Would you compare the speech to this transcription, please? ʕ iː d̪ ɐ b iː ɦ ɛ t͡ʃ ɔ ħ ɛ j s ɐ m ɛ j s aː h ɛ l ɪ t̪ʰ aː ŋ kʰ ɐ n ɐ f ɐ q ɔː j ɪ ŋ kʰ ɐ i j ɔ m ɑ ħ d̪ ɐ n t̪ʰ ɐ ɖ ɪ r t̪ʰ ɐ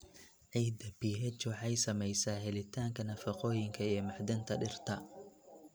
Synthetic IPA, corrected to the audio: ʕ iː d̪ ɐ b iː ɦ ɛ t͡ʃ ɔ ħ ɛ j s ɐ m ɛ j s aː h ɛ l ɪ t̪ʰ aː ŋ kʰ ɐ n ɐ f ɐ q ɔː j ɪ ŋ kʰ ɐ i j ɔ m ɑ ħ d̪ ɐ n t̪ʰ ɐ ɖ ɪ r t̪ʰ ɐ